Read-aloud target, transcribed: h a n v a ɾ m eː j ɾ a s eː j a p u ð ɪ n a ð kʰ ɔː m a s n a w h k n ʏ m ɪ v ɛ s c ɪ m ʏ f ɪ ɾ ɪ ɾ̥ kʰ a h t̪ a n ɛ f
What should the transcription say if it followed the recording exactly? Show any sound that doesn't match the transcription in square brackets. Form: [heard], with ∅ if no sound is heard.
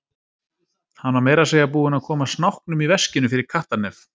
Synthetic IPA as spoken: h a n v a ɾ m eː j ɾ a s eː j a p [uː] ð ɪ n a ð kʰ ɔː m a s n a w h k n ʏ m [i] v ɛ s c ɪ [n] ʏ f ɪ ɾ ɪ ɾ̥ kʰ a h t̪ a n ɛ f